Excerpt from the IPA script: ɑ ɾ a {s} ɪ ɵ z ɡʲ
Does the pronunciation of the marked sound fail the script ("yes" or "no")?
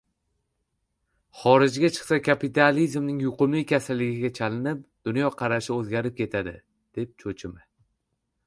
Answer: yes